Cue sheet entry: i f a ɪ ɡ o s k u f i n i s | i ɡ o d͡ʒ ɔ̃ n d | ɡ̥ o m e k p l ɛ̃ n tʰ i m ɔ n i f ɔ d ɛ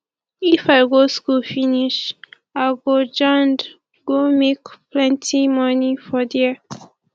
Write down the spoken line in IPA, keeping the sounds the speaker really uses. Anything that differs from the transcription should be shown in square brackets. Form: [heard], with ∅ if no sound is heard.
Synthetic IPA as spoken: i f a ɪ ɡ o s k u f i n i [ʃ] | [a] ɡ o d͡ʒ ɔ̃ n d | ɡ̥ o m e k p l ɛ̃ n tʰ i m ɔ n i f ɔ d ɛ